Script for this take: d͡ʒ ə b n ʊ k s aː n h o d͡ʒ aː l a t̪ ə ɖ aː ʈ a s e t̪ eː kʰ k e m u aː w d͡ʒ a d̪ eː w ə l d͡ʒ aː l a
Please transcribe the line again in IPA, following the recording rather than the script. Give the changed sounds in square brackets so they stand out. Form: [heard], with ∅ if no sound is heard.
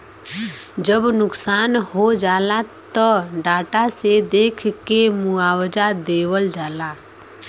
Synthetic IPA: d͡ʒ ə b n ʊ k s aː n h o d͡ʒ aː l a t̪ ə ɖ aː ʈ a s e [d̪] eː kʰ k e m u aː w d͡ʒ a d̪ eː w ə l d͡ʒ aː l a